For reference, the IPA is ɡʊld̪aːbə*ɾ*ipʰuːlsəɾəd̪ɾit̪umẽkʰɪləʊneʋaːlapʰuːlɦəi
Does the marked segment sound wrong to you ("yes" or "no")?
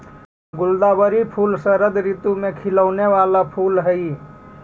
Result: no